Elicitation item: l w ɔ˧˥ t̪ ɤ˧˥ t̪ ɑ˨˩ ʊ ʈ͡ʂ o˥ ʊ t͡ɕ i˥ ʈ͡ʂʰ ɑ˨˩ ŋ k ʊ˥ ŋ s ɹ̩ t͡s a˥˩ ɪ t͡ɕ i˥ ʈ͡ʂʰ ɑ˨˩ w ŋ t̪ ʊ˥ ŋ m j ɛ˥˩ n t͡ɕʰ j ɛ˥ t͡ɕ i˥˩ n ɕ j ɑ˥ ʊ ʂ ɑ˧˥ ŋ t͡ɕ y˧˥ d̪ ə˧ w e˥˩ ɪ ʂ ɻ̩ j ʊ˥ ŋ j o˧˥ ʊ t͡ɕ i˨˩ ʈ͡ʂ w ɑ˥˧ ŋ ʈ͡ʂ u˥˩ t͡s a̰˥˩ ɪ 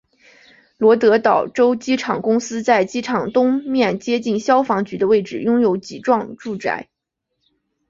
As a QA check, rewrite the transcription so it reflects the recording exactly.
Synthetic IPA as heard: l w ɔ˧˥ t̪ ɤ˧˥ t̪ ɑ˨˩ ʊ ʈ͡ʂ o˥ ʊ t͡ɕ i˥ ʈ͡ʂʰ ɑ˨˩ ŋ k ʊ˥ ŋ s ɹ̩ t͡s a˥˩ ɪ t͡ɕ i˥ ʈ͡ʂʰ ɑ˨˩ ŋ t̪ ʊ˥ ŋ m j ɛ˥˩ n t͡ɕ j ɛ˥ t͡ɕ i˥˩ n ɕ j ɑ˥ ʊ f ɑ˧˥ ŋ t͡ɕ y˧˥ d̪ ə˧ w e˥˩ ɪ ʈ͡ʂ ɻ̩ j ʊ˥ ŋ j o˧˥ ʊ t͡ɕ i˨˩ ʈ͡ʂ w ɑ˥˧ ŋ ʈ͡ʂ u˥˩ t͡s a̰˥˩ ɪ